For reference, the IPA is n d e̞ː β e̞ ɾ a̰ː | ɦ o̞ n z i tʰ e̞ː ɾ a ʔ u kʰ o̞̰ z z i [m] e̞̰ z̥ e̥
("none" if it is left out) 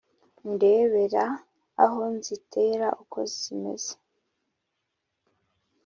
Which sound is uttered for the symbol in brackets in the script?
m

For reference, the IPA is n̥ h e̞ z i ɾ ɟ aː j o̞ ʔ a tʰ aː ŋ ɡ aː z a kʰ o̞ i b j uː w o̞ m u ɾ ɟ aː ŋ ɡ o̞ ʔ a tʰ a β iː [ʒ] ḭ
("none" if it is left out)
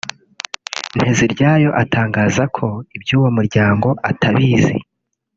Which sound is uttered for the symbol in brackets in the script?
z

